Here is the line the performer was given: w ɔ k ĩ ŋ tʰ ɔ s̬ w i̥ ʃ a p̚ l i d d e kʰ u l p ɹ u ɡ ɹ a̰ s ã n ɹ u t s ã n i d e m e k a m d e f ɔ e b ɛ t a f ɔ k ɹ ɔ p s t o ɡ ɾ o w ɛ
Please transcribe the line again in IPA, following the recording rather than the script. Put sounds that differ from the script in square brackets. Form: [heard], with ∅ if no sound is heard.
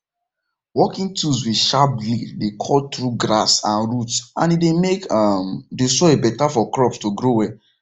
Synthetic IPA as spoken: w ɔ k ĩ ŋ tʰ [u] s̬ w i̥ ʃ a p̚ l i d d e kʰ [ɔ] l [t] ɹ u ɡ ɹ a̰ s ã n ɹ u t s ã n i d e m e k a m d e [s] ɔ e b ɛ t a f ɔ k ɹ ɔ p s t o ɡ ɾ o w ɛ